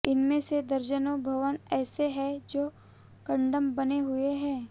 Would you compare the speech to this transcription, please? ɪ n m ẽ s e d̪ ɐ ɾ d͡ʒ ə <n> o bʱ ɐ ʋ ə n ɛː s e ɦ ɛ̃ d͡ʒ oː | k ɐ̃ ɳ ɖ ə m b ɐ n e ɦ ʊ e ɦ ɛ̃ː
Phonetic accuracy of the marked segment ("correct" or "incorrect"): correct